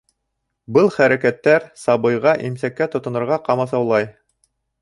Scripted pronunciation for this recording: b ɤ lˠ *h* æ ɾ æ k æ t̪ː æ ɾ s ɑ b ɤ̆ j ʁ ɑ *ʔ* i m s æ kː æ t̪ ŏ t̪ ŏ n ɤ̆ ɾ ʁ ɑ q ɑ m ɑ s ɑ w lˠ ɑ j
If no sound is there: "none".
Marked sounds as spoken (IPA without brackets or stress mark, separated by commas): χ, ʔ